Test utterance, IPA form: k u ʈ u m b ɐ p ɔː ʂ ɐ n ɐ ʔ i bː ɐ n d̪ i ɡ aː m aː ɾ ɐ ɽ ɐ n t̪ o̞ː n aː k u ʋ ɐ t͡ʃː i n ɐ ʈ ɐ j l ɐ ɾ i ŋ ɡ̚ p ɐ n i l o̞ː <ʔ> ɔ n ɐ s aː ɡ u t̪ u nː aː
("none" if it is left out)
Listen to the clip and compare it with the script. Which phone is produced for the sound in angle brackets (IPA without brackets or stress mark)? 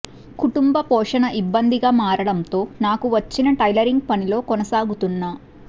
k